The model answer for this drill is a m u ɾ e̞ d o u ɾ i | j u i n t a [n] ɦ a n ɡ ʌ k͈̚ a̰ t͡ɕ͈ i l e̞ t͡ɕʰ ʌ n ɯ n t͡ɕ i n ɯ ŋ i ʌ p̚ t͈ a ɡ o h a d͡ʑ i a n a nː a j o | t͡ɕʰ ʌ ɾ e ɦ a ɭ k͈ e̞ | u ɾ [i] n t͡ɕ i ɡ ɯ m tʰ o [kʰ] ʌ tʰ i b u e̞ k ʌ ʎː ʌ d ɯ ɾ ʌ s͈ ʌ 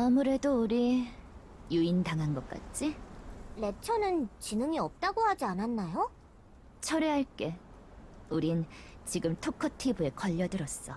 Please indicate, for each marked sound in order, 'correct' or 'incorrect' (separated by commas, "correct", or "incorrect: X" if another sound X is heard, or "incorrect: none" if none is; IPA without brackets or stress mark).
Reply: incorrect: ŋ, correct, correct